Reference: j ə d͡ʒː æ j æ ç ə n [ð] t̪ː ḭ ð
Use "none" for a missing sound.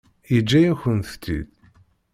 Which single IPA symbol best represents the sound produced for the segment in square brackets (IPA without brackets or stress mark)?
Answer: θ